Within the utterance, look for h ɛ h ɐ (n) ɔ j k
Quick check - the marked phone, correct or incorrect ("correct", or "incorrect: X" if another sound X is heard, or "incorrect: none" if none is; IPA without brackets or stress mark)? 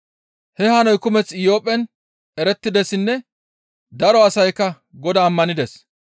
correct